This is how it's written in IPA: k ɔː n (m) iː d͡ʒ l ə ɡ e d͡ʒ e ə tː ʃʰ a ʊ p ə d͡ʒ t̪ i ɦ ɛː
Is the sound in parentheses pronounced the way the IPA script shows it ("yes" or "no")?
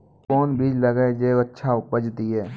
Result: no